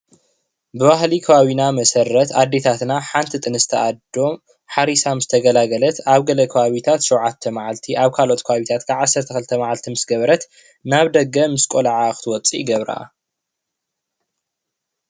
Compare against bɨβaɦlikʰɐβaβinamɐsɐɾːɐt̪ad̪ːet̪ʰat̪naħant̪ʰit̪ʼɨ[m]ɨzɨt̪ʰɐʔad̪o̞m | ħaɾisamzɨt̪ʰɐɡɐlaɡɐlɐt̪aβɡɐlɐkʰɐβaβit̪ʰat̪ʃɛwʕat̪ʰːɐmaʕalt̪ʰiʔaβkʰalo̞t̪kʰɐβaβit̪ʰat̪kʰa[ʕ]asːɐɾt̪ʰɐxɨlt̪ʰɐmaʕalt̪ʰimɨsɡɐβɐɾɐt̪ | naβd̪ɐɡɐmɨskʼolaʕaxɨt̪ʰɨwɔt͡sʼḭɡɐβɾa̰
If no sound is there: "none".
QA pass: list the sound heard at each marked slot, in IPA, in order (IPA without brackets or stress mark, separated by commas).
n, ʕ